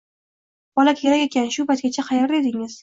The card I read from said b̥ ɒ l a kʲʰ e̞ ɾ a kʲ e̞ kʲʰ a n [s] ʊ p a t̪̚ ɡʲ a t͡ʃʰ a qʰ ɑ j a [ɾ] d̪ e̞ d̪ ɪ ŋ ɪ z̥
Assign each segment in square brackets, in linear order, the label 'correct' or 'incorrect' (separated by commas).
incorrect, correct